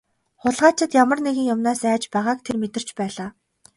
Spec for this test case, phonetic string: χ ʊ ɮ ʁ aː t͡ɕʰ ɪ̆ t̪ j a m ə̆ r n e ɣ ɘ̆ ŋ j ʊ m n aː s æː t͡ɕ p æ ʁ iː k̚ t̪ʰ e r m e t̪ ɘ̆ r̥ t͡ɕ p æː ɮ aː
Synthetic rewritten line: χ ʊ ɮ ʁ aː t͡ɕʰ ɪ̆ t̪ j a m ə̆ r n e ɣ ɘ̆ ŋ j ʊ m n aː s æː t͡ɕ p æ ʁ aː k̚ t̪ʰ e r m e t̪ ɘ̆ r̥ t͡ɕ p æː ɮ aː